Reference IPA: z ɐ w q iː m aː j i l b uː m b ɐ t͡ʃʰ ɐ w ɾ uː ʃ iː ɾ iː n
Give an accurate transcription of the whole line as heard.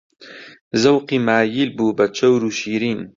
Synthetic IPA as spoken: z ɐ w q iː m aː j i l b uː b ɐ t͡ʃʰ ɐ w ɾ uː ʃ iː ɾ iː n